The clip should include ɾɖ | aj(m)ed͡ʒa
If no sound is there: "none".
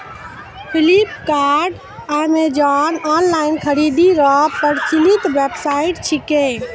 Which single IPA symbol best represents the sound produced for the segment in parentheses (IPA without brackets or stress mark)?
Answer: m